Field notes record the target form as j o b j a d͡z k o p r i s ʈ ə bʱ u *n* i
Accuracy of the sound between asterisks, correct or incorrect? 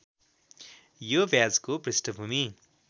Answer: incorrect